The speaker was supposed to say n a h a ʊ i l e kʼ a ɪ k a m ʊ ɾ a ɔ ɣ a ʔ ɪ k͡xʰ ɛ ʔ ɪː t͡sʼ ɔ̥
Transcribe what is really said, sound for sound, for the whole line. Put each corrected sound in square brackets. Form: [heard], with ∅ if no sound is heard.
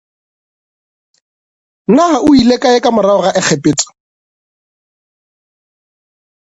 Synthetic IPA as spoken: n a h a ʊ i l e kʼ a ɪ k a m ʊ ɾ a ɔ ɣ a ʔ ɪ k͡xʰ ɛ [p] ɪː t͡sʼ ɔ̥